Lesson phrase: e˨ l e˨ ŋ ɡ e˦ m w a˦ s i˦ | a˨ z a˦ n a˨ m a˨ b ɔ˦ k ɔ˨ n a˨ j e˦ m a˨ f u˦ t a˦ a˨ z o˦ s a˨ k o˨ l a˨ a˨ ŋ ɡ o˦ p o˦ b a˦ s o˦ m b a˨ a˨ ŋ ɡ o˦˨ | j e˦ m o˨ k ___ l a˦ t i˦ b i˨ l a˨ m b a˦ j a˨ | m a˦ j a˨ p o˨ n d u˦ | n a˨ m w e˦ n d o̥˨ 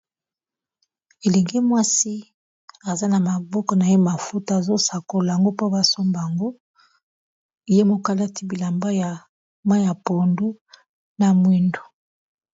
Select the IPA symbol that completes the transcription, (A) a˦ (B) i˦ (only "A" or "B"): A